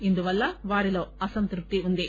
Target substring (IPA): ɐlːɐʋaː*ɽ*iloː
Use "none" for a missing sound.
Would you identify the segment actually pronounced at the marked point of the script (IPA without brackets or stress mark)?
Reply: ɾ